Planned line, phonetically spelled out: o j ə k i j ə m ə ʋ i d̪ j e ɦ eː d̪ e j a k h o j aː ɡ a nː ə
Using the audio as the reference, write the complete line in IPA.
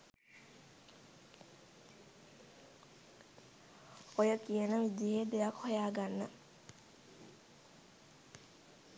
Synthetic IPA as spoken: o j ə k i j ə n ə ʋ i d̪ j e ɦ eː d̪ e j a k h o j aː ɡ a nː ə